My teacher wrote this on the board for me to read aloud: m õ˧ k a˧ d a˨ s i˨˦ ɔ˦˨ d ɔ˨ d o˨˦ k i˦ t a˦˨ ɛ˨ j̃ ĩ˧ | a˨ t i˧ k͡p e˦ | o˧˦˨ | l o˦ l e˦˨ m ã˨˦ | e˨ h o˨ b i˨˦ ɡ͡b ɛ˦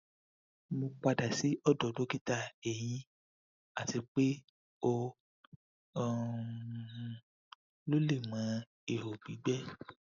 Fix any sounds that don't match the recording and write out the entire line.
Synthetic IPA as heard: m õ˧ k͡p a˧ d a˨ s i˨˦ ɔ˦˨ d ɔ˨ d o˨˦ k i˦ t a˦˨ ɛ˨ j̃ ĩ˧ | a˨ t i˧ k͡p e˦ | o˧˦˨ | l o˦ l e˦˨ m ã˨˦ | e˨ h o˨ b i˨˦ ɡ͡b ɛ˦